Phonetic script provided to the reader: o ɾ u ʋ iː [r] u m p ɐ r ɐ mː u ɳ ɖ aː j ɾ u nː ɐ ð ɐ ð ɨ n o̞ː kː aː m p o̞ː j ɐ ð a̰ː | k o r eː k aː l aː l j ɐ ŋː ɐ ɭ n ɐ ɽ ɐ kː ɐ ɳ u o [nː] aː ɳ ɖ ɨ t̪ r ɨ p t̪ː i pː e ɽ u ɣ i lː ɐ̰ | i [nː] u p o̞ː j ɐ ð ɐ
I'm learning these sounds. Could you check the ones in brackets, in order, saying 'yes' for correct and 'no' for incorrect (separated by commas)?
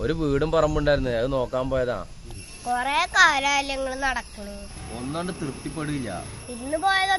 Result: no, yes, yes